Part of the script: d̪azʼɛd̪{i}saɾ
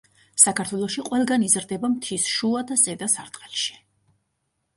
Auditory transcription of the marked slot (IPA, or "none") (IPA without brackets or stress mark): a